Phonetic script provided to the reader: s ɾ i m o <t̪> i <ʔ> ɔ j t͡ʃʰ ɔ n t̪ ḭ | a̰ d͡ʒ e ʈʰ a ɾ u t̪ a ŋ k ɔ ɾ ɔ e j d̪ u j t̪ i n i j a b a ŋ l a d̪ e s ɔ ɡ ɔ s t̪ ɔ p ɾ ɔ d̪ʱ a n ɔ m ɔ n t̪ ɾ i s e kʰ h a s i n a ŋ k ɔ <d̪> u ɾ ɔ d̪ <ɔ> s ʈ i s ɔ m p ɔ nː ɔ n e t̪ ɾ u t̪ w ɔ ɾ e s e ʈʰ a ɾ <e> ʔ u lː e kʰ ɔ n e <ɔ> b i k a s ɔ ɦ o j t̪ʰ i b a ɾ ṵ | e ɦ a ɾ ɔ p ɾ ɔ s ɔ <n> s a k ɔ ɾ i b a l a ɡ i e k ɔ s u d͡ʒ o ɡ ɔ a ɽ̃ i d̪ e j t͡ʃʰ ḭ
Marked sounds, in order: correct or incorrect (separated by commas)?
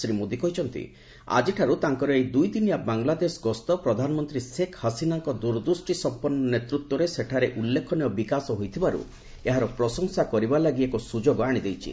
incorrect, incorrect, correct, incorrect, correct, correct, incorrect